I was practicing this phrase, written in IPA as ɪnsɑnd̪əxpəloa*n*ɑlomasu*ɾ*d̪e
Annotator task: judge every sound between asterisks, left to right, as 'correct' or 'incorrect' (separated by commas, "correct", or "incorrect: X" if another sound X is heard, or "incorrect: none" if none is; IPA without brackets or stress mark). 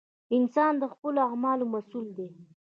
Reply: incorrect: m, incorrect: l